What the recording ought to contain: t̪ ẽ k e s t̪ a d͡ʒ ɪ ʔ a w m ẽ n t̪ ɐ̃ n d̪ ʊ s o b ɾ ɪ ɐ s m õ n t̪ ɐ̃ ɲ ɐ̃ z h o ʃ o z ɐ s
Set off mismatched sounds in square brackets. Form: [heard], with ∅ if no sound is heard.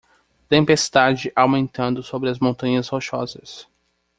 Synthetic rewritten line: t̪ ẽ [p] e s t̪ a d͡ʒ ɪ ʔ a w m ẽ n t̪ ɐ̃ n d̪ ʊ s o b ɾ ɪ ɐ [z] m õ n t̪ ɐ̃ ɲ [ɐ] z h o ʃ [ɔ] z ɐ s